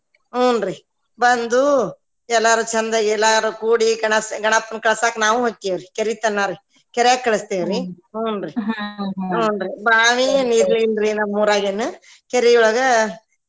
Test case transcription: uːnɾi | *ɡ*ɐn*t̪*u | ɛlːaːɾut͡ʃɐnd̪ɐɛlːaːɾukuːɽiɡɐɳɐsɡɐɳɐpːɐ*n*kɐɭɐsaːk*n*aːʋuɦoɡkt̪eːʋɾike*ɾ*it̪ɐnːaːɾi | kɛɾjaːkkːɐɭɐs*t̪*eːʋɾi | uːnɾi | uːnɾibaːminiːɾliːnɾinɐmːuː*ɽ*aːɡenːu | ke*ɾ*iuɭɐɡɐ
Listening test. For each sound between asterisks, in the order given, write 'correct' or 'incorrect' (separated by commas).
incorrect, incorrect, correct, correct, correct, correct, incorrect, correct